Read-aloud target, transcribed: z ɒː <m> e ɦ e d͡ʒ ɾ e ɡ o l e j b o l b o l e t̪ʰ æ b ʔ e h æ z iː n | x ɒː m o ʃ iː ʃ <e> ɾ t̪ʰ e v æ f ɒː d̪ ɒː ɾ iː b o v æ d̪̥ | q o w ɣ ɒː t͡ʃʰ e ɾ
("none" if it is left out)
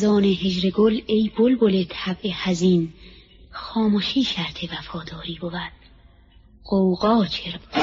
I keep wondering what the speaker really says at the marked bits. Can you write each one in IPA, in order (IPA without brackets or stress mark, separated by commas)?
n, æ